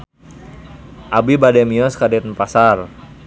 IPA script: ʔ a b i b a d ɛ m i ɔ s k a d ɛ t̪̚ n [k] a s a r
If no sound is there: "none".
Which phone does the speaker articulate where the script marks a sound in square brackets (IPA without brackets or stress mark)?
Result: p